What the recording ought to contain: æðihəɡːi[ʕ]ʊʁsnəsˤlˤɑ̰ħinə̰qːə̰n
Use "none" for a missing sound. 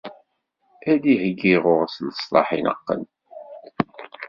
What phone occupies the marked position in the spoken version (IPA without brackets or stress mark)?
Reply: ʁ